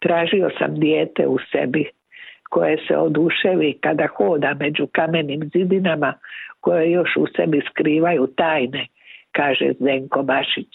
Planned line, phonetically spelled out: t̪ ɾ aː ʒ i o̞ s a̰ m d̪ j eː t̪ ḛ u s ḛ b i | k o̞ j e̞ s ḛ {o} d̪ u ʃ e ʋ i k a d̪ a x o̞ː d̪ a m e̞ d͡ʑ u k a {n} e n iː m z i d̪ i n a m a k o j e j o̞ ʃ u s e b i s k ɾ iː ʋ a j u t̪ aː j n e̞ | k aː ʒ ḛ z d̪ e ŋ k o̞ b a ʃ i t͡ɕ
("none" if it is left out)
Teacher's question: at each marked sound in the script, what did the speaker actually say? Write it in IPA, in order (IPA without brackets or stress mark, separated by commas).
o, m